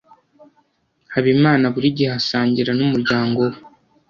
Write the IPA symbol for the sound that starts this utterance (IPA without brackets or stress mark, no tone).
h